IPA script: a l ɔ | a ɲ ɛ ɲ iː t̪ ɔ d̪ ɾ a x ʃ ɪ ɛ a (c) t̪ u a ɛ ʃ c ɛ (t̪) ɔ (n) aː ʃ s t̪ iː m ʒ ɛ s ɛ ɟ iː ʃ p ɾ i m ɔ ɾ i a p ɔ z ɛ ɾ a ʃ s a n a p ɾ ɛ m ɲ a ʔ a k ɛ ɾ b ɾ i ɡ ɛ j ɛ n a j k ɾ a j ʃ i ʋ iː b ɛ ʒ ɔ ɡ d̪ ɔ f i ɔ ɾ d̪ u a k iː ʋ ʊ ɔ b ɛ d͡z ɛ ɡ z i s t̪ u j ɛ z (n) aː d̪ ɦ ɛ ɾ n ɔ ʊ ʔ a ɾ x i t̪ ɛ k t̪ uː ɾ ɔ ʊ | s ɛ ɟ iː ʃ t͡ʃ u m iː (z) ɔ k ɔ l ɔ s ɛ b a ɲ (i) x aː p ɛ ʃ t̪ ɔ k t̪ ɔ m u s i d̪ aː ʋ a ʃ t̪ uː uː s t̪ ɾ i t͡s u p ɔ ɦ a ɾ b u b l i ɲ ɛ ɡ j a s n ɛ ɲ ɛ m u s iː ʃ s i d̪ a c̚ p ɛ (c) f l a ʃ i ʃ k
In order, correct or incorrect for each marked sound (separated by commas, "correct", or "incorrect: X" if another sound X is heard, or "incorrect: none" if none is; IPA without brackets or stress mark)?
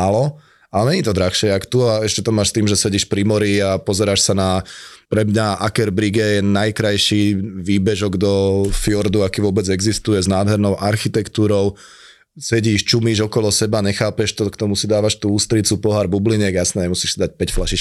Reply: incorrect: k, correct, incorrect: m, correct, incorrect: ʒ, incorrect: ɛ, correct